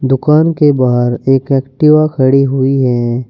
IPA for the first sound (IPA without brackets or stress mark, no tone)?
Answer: d̪